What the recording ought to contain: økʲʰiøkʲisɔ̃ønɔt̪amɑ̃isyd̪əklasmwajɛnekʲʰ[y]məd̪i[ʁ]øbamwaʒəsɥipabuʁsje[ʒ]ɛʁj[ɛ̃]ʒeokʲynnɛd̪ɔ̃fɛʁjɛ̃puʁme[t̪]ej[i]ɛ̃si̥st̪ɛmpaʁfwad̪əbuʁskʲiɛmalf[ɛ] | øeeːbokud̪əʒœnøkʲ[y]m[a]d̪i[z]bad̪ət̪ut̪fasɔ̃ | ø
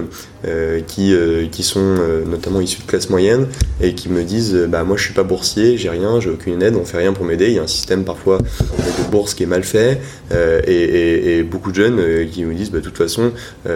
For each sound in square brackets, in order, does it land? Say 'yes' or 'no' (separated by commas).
no, no, yes, yes, no, no, yes, no, no, yes